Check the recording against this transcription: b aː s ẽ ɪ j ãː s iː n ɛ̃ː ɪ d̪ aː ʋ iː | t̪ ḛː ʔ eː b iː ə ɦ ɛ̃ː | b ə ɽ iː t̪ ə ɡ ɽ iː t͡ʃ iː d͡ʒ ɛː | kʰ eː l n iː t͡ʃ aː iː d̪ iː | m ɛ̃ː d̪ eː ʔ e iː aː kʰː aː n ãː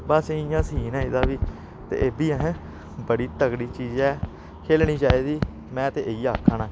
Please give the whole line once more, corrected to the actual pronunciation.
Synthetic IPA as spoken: b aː s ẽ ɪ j ãː s iː n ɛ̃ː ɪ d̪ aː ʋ iː | t̪ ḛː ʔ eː b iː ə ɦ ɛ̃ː | b ə ɽ iː t̪ ə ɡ ɽ iː t͡ʃ iː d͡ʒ ɛː | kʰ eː l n iː t͡ʃ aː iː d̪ iː | m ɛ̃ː t̪ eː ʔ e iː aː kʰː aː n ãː

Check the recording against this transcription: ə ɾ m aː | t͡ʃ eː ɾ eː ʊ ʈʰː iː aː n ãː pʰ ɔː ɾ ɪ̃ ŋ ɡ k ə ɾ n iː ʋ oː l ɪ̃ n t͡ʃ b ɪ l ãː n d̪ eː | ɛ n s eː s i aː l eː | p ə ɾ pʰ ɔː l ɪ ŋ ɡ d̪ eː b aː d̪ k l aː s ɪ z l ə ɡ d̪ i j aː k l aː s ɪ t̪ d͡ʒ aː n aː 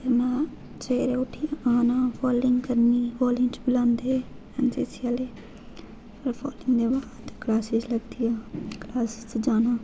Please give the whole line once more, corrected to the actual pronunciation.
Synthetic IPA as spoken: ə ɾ n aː | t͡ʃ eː ɾ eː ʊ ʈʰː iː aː n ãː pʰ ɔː l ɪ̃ ŋ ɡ k ə ɾ n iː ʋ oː l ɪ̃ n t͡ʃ b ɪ l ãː n d̪ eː | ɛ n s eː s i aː l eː | p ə ɾ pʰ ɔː l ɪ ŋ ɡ d̪ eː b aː d̪ k l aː s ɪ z l ə ɡ d̪ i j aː k l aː s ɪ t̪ d͡ʒ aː n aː

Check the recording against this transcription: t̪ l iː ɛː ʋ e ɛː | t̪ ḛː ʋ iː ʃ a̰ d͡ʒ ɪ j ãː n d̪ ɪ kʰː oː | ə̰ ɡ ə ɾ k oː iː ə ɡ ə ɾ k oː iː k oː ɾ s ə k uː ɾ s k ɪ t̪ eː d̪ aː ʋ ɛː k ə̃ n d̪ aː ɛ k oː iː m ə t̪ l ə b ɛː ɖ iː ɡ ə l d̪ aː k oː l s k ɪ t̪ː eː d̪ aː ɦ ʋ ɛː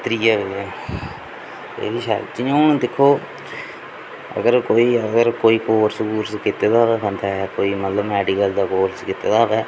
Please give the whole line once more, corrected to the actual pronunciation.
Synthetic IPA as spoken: t̪ ɾ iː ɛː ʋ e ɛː | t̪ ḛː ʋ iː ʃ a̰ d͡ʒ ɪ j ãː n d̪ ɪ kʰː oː | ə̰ ɡ ə ɾ k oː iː ə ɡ ə ɾ k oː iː k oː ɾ s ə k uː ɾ s k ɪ t̪ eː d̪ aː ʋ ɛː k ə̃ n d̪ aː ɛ k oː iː m ə t̪ l ə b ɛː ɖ iː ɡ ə l d̪ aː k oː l s k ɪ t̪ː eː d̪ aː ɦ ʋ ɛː

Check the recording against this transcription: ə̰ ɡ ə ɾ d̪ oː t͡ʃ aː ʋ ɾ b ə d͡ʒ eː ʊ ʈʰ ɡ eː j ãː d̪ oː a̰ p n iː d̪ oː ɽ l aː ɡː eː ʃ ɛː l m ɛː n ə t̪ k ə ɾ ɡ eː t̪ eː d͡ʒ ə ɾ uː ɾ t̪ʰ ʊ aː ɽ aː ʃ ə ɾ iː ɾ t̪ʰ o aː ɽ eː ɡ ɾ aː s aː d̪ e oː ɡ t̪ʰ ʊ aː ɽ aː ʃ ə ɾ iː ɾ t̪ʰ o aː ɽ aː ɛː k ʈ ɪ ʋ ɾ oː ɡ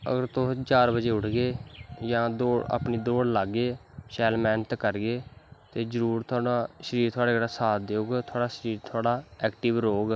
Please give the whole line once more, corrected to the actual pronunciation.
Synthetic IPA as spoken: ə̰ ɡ ə ɾ t̪ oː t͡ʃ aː ɾ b ə d͡ʒ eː ʊ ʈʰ ɡ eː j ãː d̪ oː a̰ p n iː d̪ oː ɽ l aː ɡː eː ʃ ɛː l m ɛː n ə t̪ k ə ɾ ɡ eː t̪ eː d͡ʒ ə ɾ uː ɾ t̪ʰ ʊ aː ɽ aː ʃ ə ɾ iː ɾ t̪ʰ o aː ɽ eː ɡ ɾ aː s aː d̪ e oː ɡ t̪ʰ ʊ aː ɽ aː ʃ ə ɾ iː ɾ t̪ʰ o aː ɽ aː ɛː k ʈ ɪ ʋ ɾ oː ɡ

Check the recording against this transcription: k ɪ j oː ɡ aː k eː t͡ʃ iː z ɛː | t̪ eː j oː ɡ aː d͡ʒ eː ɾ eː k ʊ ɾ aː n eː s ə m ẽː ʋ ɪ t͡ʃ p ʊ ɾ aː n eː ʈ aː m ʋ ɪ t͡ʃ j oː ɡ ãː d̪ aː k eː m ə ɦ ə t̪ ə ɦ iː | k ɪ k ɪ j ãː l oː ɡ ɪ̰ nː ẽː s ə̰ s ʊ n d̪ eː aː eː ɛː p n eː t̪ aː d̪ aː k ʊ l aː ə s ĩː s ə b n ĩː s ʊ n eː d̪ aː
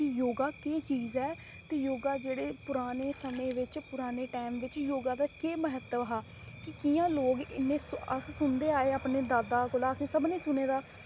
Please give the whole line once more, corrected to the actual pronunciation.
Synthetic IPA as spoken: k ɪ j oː ɡ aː k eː t͡ʃ iː z ɛː | t̪ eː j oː ɡ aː d͡ʒ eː ɽ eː p ʊ ɾ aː n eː s ə m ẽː ʋ ɪ t͡ʃ p ʊ ɾ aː n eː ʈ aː m ʋ ɪ t͡ʃ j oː ɡ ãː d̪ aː k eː m ə ɦ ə t̪ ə ɦ aː | k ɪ k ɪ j ãː l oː ɡ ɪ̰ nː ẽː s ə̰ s ʊ n d̪ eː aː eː aː p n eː d̪ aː d̪ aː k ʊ l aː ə s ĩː s ə b n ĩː s ʊ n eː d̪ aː

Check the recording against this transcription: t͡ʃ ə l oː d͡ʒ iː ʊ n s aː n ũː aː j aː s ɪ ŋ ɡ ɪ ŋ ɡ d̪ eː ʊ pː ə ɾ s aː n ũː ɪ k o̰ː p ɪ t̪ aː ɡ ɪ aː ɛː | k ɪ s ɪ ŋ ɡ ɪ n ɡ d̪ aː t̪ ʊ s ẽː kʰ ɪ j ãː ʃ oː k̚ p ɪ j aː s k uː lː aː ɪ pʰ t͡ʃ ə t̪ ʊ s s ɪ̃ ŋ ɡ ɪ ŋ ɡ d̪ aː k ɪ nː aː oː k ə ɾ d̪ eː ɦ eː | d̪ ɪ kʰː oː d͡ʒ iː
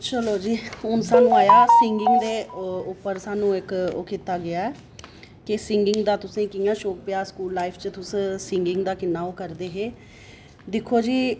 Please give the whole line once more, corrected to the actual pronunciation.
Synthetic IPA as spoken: t͡ʃ ə l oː d͡ʒ iː ʊ n s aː n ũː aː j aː s ɪ ŋ ɡ ɪ ŋ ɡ d̪ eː ʊ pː ə ɾ s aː n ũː ɪ k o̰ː k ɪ t̪ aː ɡ ɪ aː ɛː | k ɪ s ɪ ŋ ɡ ɪ ŋ ɡ d̪ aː t̪ ʊ s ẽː k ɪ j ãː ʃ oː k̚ p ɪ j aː s k uː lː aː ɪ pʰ t͡ʃ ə t̪ ʊ s s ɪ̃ ŋ ɡ ɪ ŋ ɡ d̪ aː k ɪ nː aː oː k ə ɾ d̪ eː ɦ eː | d̪ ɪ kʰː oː d͡ʒ iː

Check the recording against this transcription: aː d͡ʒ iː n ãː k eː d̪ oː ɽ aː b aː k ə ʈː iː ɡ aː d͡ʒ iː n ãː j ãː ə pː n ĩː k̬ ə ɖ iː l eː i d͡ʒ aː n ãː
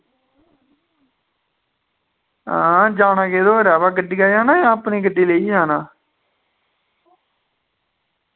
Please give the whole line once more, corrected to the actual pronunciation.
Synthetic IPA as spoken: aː d͡ʒ aː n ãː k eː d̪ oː ɾ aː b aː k ə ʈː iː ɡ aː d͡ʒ aː n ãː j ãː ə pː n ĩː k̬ ə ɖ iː l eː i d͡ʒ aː n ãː

